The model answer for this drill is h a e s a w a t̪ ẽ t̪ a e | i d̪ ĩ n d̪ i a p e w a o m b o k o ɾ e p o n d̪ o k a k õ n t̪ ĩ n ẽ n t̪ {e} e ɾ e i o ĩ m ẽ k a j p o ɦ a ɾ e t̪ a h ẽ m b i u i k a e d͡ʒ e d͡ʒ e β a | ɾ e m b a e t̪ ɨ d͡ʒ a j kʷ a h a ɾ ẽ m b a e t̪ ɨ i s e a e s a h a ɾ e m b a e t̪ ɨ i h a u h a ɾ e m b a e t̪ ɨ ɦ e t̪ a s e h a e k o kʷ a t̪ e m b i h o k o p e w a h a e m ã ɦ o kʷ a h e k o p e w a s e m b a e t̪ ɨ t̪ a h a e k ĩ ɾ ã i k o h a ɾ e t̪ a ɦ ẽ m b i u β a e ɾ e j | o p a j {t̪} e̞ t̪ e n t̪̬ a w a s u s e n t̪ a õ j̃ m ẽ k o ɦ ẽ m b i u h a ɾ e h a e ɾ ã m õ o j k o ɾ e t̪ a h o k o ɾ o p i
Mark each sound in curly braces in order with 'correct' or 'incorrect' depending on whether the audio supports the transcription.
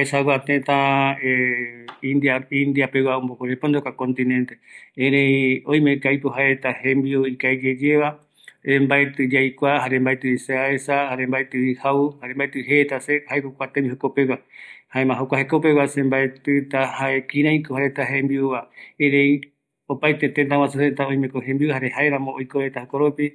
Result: correct, correct

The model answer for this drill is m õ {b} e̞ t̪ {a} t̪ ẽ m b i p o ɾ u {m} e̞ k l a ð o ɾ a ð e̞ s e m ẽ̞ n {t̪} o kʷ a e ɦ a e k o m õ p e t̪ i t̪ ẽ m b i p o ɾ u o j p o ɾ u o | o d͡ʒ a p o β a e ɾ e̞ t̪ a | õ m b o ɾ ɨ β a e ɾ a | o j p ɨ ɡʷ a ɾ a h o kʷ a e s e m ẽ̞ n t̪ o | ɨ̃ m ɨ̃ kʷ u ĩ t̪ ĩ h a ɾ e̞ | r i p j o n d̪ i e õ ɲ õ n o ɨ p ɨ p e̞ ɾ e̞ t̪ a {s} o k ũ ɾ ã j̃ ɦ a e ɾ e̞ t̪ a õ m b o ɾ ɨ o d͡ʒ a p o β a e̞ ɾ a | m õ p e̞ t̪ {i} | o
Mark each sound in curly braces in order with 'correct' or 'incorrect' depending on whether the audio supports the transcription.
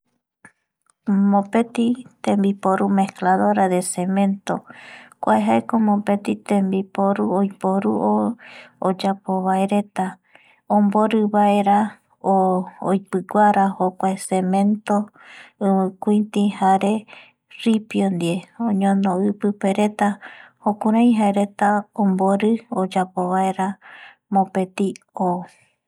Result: incorrect, incorrect, correct, correct, incorrect, correct

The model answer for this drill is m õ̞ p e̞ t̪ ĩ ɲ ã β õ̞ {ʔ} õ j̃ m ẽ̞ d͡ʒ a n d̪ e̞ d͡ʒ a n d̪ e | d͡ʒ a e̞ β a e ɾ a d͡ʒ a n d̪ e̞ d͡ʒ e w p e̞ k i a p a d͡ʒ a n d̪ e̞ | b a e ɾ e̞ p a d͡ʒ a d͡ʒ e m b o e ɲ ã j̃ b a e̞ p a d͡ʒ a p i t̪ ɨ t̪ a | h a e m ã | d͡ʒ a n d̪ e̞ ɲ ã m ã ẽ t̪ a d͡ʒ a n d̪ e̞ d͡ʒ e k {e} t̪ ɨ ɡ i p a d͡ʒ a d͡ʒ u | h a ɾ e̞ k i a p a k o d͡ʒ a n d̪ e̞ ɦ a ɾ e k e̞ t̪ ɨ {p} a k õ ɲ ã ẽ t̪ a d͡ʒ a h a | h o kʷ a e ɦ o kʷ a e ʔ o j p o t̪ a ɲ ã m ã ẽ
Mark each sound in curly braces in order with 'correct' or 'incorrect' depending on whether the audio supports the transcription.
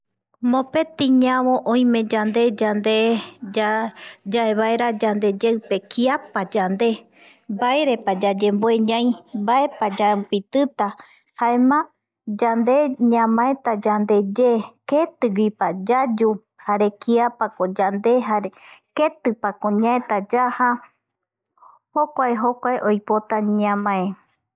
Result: correct, correct, correct

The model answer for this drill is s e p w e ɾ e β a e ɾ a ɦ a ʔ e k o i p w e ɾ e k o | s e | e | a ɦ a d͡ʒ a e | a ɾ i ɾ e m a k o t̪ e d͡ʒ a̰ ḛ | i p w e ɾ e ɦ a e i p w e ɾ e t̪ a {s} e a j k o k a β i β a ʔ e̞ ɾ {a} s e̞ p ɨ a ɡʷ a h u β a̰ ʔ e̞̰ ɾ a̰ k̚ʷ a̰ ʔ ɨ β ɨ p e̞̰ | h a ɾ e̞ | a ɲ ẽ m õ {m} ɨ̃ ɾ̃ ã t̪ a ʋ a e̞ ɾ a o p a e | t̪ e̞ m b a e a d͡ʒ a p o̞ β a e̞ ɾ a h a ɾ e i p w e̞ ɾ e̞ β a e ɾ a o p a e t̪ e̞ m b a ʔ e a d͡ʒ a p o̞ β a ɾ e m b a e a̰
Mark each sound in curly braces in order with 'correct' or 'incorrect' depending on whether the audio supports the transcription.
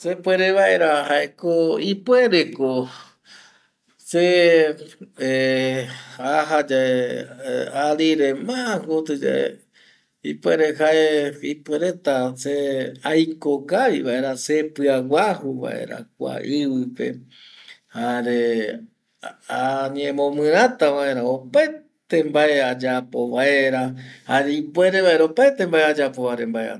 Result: correct, correct, correct

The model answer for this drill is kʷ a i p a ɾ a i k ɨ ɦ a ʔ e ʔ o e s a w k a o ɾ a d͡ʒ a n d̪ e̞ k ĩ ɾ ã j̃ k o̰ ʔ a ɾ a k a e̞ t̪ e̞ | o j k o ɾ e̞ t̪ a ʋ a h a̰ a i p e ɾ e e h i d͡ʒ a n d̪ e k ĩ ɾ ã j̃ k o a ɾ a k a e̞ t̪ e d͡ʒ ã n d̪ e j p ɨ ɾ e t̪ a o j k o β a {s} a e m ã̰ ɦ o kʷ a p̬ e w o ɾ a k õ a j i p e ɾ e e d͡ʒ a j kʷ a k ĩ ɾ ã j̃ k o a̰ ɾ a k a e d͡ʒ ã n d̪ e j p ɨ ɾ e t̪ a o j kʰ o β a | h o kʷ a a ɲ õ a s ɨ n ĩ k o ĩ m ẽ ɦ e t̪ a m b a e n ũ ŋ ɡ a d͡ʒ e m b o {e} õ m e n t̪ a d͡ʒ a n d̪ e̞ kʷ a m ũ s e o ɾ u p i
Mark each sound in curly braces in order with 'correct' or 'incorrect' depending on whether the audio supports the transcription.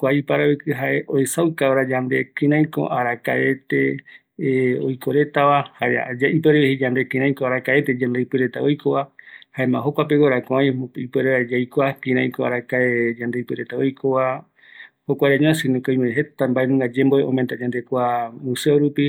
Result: incorrect, correct

